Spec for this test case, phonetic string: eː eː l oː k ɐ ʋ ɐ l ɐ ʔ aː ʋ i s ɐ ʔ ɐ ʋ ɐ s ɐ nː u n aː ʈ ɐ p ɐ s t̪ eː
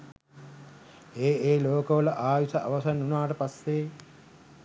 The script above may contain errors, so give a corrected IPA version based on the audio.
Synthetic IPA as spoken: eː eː l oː k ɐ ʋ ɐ l ɐ ʔ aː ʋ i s ɐ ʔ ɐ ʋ ɐ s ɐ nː u n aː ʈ ɐ p ɐ s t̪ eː